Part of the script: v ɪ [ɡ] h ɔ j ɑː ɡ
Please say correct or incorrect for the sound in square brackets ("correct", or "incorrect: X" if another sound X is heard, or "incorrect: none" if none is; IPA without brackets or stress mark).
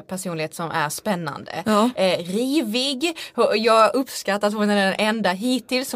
correct